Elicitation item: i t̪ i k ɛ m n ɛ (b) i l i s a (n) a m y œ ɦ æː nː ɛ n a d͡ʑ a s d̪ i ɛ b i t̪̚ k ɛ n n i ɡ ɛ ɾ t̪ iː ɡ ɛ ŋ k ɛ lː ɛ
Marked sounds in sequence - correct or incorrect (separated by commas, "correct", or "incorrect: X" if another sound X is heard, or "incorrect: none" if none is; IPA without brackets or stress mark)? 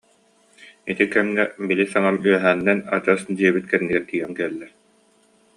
correct, incorrect: ŋ